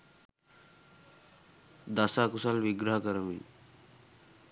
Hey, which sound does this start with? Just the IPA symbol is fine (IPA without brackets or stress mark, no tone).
d̪